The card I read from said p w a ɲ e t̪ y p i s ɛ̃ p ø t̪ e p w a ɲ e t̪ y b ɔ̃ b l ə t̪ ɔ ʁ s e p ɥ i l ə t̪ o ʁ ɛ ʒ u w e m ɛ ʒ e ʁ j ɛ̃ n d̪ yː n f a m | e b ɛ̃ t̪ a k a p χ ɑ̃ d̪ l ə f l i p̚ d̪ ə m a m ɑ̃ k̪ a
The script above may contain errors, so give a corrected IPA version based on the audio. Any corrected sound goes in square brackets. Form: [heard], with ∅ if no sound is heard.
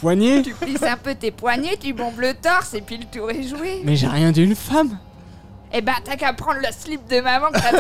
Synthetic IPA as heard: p w a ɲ e t̪ y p i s ɛ̃ p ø t̪ e p w a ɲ e t̪ y b ɔ̃ b l ə t̪ ɔ ʁ s e p ɥ i l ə t̪ [u] ʁ ɛ ʒ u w e m ɛ ʒ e ʁ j ɛ̃ [∅] d̪ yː n f a m | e b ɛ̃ t̪ a k a p χ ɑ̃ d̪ l ə [s] l i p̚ d̪ ə m a m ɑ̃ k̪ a